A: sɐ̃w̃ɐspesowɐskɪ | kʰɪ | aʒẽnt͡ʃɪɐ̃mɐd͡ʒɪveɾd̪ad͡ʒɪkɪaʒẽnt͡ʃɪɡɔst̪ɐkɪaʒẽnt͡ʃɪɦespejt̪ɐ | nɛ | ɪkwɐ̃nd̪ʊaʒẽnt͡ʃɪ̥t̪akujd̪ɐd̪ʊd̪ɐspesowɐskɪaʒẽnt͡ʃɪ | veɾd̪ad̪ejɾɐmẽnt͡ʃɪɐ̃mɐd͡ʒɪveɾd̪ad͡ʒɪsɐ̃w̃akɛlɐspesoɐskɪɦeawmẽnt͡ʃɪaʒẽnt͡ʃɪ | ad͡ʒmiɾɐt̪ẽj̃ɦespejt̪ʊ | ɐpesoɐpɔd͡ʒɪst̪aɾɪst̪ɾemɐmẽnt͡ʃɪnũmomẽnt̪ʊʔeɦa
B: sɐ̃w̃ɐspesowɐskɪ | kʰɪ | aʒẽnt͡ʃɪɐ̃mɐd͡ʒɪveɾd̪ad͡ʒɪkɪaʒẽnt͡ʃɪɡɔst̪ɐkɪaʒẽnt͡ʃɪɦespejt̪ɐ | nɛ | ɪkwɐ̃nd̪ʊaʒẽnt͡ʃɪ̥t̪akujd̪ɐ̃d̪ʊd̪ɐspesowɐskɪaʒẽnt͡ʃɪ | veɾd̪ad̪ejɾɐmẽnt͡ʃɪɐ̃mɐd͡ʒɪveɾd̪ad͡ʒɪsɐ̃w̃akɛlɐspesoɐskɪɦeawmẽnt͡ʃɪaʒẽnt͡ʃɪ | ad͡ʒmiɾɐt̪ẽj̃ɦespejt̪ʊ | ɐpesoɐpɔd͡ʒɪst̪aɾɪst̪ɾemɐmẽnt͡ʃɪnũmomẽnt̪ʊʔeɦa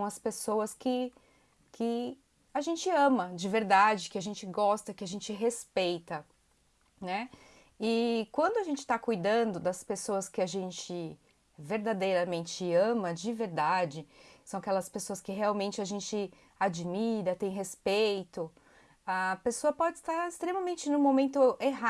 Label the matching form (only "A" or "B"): B